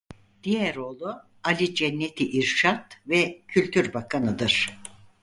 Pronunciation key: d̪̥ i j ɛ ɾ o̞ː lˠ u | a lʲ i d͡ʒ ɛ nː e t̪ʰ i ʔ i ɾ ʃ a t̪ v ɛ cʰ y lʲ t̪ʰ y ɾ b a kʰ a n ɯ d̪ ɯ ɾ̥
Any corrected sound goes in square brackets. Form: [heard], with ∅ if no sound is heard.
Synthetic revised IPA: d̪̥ i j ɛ ɾ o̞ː lˠ u | a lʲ i d͡ʒ ɛ nː e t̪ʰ i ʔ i ɾ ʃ a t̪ v ɛ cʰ y lʲ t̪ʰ y ɾ b a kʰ a n ɯ d̪ ɯ ɾ̥